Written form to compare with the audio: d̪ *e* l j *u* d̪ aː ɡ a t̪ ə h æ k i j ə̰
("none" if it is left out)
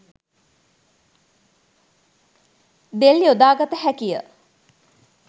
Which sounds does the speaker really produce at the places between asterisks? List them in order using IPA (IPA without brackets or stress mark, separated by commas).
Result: e, o